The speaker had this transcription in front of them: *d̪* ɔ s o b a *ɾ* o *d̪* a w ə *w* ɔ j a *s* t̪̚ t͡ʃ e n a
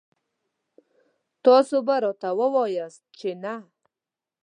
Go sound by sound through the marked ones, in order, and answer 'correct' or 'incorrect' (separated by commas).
incorrect, correct, incorrect, correct, correct